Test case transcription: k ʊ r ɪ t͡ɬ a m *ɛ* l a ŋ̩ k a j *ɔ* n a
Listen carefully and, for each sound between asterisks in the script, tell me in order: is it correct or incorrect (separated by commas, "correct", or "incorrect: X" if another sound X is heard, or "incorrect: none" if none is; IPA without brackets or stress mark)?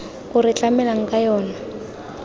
correct, incorrect: ɔː